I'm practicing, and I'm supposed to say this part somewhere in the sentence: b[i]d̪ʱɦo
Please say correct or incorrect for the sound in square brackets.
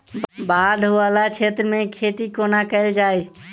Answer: incorrect